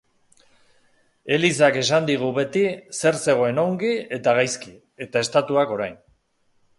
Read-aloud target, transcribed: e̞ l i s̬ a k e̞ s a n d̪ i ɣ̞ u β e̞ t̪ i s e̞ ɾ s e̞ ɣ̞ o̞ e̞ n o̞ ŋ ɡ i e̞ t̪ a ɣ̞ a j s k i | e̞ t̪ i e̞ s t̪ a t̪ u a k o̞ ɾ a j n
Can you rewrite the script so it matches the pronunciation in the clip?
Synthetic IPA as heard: e̞ l i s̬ a k e̞ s a n d̪ i ɣ̞ u β e̞ t̪ i s e̞ ɾ s e̞ ɣ̞ o̞ e̞ n o̞ ŋ ɡ i e̞ t̪ a ɣ̞ a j s k i | e̞ t̪ a e̞ s t̪ a t̪ u a k o̞ ɾ a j n